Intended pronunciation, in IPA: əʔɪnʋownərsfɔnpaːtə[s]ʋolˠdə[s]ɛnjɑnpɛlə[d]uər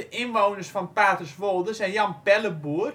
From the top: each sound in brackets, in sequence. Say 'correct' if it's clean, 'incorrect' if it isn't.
correct, correct, incorrect: b

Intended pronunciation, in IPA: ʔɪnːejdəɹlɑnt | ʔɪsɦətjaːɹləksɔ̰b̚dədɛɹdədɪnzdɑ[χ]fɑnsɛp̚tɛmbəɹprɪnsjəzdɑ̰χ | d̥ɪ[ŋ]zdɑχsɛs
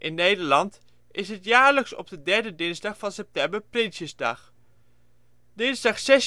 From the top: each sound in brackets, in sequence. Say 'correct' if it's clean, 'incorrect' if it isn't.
correct, incorrect: n

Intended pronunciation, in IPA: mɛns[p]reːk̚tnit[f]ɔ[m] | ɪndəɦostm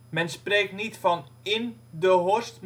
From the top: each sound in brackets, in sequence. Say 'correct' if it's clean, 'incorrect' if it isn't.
correct, correct, incorrect: n

